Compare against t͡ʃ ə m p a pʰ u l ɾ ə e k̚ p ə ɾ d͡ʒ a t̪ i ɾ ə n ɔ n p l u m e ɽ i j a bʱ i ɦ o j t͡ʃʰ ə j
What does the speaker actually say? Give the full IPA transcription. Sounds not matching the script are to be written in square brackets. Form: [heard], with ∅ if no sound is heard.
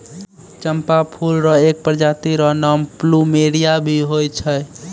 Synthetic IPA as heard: t͡ʃ ə m p a pʰ u l ɾ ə e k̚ p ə ɾ d͡ʒ a t̪ i ɾ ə n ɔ [m] p l u m e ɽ i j a bʱ i ɦ o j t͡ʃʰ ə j